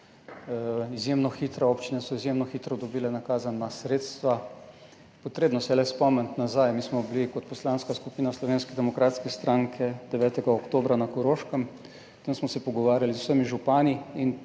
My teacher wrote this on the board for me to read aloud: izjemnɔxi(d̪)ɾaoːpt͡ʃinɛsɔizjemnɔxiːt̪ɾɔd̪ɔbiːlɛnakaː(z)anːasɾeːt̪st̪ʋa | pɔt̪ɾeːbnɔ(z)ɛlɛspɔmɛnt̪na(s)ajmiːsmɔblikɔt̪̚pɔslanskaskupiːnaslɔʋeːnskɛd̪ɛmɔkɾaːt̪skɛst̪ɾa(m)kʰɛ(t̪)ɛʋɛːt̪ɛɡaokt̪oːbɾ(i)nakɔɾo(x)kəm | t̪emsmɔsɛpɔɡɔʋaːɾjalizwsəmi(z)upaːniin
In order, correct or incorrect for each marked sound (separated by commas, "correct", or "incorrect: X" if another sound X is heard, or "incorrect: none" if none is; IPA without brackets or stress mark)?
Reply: incorrect: t̪, correct, incorrect: s, incorrect: z, incorrect: ŋ, incorrect: d̪, incorrect: a, incorrect: ʃ, incorrect: ʒ